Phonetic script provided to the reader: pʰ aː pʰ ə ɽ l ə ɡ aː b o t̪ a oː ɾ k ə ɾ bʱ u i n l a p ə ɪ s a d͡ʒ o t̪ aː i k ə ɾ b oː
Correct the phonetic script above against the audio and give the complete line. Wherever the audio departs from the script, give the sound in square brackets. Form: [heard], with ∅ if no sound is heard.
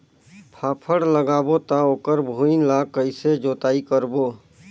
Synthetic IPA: pʰ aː pʰ ə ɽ l ə ɡ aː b o t̪ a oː [∅] k ə ɾ bʱ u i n l a [k] ə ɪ s [e] d͡ʒ o t̪ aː i k ə ɾ b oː